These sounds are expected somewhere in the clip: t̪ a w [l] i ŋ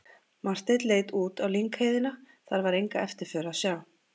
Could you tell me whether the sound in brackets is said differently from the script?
no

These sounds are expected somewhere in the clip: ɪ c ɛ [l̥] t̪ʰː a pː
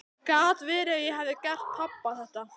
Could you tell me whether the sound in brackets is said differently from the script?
yes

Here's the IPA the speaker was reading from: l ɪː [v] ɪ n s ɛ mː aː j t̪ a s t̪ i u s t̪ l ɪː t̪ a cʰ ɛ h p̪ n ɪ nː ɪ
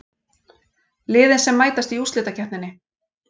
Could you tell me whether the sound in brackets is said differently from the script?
yes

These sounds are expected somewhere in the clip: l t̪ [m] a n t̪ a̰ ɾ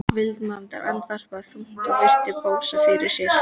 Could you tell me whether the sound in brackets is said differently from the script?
no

